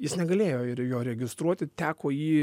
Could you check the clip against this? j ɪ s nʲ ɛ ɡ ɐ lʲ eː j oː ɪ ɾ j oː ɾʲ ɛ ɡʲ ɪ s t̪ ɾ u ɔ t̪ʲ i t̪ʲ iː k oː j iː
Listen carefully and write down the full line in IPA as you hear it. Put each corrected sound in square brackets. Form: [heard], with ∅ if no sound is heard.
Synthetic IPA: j ɪ s nʲ ɛ ɡ ɐ lʲ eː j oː ɪ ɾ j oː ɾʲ ɛ ɡʲ ɪ s t̪ ɾ u ɔ t̪ʲ [ɪ] t̪ʲ [æː] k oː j iː